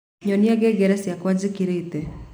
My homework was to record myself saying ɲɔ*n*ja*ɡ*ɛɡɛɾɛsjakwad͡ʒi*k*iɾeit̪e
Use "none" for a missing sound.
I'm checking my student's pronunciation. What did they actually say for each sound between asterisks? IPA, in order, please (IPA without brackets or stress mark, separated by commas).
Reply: n, ɡ, k